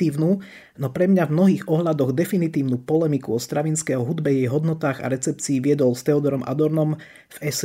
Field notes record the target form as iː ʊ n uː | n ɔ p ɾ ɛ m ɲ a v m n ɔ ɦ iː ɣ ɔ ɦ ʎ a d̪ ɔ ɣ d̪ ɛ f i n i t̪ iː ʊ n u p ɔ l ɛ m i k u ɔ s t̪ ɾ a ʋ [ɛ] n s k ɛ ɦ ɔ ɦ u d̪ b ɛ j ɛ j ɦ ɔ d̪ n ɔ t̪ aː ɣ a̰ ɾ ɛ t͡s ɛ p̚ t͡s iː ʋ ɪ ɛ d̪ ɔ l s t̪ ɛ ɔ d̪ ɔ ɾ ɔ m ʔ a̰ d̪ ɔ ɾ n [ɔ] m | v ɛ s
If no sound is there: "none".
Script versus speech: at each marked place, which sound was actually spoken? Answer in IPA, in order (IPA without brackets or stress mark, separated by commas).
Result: i, ɔ